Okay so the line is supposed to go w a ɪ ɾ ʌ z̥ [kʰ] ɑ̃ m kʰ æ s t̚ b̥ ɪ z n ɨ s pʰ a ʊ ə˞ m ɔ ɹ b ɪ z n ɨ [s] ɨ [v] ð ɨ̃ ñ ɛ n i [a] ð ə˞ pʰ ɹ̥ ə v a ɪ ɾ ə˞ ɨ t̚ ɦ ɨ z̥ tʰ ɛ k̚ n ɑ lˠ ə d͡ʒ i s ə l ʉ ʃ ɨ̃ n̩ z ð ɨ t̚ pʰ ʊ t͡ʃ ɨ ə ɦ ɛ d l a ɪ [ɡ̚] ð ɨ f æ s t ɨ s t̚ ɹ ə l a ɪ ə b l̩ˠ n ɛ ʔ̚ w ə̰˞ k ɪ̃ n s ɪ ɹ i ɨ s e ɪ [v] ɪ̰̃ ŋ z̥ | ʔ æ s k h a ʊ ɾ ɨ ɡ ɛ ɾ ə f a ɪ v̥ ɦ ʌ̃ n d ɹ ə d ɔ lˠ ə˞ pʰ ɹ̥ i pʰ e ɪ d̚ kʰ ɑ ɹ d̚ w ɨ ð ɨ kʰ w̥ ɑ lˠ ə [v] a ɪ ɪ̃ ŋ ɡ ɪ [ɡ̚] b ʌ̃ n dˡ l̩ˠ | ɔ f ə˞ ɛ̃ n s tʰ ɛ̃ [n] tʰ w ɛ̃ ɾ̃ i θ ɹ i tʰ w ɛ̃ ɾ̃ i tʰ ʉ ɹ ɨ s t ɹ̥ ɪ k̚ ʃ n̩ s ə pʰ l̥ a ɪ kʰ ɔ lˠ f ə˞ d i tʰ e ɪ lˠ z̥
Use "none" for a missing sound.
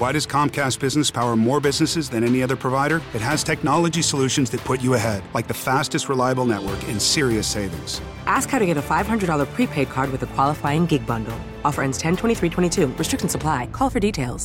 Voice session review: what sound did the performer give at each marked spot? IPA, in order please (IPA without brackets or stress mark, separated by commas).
kʰ, s, z, ʌ, k̚, v, f, ɡ̚, n